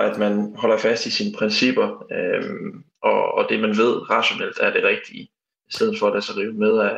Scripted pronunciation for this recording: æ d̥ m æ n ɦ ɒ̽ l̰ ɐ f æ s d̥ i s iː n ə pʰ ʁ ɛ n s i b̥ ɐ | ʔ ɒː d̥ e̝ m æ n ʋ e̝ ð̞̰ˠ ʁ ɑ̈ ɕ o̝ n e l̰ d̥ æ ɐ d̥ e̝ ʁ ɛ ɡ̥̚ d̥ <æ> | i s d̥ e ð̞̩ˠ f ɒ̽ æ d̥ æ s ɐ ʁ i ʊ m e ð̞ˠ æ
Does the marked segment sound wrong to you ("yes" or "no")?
yes